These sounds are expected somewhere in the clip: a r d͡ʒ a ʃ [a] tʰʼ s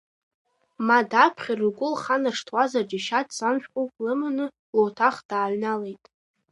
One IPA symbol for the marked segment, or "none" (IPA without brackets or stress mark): a